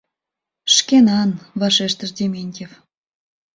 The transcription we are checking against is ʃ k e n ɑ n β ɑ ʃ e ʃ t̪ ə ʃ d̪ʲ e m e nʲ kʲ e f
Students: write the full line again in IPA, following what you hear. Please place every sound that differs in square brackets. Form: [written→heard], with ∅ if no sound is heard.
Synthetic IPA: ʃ k e n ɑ n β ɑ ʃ e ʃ t̪ ə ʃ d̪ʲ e m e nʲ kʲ e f